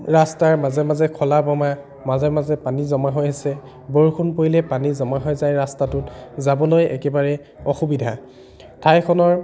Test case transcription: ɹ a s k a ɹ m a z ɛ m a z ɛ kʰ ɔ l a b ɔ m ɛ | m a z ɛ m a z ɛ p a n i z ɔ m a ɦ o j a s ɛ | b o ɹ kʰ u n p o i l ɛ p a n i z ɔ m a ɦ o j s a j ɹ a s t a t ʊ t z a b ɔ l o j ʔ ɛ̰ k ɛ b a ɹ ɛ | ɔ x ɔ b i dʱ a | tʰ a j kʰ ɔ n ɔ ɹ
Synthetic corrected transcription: ɹ a s t a ɹ m a z ɛ m a z ɛ kʰ ɔ l a b ɔ m a | m a z ɛ m a z ɛ p a n i z ɔ m a ɦ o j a s ɛ | b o ɹ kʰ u n p o i l ɛ p a n i z ɔ m a ɦ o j z a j ɹ a s t a t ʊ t z a b ɔ l o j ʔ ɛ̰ k ɛ b a ɹ ɛ | ɔ x u b i dʱ a | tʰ a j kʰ ɔ n ɔ ɹ